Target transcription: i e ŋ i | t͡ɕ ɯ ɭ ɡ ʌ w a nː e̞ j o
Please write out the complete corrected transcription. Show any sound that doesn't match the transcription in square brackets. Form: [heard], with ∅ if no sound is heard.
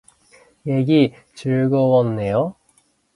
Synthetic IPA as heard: [j] e [ɡ] i | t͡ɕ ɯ ɭ ɡ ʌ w [ʌ] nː e̞ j o